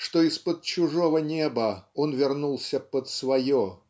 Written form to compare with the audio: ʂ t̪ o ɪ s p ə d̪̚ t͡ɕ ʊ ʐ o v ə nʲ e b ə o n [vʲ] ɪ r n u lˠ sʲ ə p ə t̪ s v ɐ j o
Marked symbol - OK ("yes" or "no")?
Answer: yes